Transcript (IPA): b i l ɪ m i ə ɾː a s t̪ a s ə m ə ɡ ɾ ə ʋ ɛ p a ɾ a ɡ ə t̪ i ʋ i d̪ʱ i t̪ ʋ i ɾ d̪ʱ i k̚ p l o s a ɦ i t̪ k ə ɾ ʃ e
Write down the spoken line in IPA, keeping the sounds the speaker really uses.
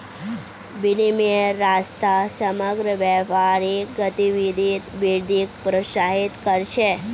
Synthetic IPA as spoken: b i l i m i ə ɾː a s t̪ a s ə m ə ɡ ɾ ə ʋ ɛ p a ɾ i ɡ ə t̪ i ʋ i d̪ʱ i t̪ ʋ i ɾ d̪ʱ i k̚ p ɾ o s a ɦ i t̪ k ə ɾ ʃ e